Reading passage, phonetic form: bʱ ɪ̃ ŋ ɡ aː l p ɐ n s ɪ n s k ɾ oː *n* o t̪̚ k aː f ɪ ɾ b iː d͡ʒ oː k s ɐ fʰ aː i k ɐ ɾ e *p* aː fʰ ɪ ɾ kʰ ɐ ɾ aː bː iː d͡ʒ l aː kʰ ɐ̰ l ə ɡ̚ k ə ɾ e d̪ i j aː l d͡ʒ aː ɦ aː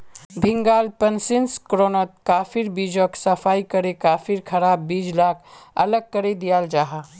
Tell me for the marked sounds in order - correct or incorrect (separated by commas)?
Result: correct, incorrect